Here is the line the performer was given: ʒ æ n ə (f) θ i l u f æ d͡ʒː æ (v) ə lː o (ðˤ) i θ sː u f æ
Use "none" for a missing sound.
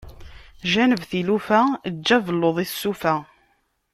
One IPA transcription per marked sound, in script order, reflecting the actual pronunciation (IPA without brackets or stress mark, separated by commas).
v, v, ðˤ